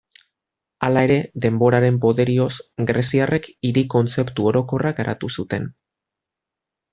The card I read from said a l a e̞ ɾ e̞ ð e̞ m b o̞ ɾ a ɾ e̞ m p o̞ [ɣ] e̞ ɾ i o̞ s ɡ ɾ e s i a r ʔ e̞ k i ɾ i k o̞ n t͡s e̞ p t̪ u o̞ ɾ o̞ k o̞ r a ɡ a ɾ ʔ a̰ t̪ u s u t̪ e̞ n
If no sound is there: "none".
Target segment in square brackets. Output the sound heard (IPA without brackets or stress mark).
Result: ð